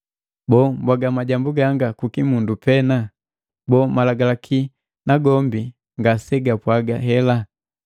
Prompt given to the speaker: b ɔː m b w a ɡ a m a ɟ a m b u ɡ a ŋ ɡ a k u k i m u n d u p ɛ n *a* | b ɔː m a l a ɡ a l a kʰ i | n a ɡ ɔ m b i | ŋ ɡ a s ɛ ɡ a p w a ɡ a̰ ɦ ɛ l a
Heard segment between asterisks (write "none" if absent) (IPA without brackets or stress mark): a